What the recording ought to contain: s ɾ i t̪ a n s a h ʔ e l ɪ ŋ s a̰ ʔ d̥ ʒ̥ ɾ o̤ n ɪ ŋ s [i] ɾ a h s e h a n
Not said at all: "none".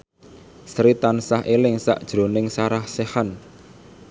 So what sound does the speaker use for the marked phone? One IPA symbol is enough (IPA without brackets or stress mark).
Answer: a